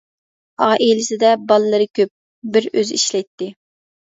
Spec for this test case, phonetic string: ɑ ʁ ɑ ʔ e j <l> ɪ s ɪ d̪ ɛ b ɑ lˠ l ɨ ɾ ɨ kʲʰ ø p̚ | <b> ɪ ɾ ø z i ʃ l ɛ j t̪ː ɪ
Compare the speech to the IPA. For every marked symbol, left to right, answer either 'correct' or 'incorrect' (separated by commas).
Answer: correct, correct